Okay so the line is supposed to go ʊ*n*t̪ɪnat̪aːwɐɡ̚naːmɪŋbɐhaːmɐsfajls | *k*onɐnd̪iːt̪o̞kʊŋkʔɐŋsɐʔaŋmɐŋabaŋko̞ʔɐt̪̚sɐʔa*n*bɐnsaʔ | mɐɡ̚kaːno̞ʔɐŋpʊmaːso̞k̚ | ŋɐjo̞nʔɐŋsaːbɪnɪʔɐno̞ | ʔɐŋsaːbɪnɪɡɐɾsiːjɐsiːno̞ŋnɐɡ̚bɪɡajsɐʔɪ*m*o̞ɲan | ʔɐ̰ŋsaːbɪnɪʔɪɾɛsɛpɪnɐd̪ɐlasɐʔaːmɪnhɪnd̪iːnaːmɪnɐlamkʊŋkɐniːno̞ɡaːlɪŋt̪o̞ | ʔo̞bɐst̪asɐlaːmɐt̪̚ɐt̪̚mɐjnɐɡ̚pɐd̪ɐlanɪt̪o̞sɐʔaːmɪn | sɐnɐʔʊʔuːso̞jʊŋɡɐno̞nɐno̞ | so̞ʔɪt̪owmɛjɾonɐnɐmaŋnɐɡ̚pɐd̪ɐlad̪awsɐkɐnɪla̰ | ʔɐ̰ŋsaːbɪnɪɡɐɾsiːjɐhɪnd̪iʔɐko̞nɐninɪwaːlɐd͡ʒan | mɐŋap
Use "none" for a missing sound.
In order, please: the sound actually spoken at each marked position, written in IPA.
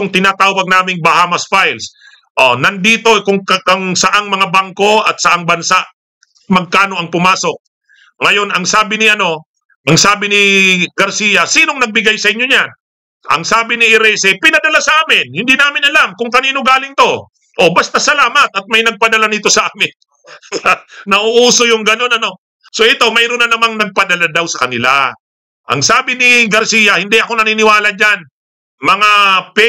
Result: ŋ, ʔ, ŋ, ɲ

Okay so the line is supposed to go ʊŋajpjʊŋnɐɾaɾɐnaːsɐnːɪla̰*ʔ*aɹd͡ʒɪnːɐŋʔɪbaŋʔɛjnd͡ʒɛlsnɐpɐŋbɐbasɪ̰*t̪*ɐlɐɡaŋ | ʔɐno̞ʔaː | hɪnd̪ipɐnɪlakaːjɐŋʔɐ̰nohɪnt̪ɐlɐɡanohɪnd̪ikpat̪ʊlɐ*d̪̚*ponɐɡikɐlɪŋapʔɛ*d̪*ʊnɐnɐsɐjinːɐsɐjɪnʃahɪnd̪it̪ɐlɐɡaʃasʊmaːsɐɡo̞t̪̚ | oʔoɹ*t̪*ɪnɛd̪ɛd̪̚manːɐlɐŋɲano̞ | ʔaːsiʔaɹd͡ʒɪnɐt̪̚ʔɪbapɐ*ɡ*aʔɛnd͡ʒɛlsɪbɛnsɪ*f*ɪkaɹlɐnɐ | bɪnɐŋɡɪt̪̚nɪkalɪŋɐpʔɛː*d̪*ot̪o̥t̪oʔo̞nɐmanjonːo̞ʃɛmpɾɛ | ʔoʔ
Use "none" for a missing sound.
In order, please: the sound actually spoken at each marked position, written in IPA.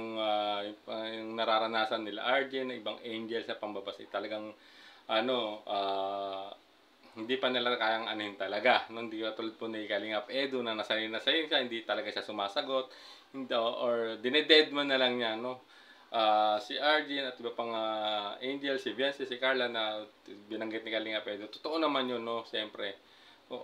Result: ʔ, t̪, d̪̚, d̪, d̪, ŋ, s, d̪

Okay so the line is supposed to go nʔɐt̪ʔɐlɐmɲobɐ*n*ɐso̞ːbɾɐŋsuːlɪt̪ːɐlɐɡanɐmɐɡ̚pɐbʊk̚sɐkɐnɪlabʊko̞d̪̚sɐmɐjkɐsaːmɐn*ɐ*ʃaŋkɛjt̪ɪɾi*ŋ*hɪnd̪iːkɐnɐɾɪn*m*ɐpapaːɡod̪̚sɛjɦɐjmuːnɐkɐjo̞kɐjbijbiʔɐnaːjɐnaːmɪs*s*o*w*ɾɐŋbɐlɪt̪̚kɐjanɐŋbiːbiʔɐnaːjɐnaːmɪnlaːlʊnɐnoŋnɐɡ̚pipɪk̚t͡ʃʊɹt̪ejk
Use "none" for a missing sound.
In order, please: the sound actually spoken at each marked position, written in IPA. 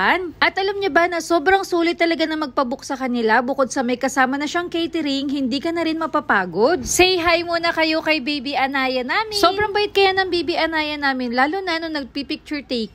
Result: n, ɐ, ŋ, m, s, b

